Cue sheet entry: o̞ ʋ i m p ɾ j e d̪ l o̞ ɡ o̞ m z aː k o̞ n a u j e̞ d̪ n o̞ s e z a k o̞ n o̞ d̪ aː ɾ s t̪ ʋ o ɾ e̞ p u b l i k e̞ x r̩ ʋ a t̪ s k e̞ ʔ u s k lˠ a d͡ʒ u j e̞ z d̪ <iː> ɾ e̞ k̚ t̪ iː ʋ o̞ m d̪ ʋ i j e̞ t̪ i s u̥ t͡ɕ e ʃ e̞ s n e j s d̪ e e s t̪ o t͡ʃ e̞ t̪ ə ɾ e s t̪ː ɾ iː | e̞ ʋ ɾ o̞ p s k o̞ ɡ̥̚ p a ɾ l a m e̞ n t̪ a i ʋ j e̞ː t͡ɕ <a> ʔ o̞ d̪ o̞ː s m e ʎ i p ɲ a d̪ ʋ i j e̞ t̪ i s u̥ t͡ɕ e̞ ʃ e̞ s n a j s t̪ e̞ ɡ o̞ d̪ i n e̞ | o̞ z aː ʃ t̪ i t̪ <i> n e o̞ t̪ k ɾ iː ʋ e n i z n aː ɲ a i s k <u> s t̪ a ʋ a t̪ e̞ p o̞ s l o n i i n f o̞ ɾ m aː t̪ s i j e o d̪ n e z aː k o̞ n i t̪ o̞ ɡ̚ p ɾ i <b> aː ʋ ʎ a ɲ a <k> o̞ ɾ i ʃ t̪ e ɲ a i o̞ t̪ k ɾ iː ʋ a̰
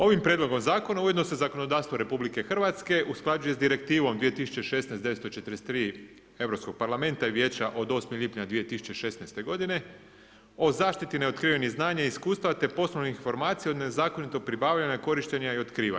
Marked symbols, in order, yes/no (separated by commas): no, yes, yes, no, yes, yes